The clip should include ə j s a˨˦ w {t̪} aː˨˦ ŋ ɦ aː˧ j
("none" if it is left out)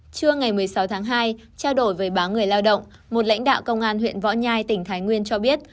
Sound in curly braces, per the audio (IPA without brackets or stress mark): t̪ʰ